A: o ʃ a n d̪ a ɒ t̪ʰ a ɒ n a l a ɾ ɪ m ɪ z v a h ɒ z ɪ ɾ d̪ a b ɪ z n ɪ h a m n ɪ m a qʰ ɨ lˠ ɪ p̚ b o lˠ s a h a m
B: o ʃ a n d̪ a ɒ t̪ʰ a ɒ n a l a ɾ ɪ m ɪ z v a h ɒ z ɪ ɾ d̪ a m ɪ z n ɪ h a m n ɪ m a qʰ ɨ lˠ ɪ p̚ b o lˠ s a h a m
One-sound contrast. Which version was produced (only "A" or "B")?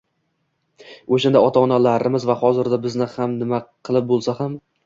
A